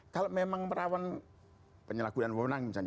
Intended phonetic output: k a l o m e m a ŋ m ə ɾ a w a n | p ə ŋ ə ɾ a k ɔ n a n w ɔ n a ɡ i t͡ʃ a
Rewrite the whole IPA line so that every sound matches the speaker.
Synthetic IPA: k a l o m e m a ŋ m ə ɾ a w a n | p ə ɲ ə l a k u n a n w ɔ n a ŋ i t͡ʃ a